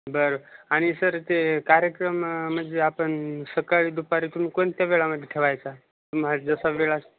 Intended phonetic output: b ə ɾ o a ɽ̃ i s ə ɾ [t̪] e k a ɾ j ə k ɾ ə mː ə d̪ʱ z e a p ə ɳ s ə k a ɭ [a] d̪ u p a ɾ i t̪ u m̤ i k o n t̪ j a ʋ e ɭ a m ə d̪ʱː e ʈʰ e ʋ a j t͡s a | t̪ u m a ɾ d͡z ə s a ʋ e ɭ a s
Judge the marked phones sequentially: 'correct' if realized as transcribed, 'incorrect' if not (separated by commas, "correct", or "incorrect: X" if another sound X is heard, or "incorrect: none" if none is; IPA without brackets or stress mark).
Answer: correct, incorrect: i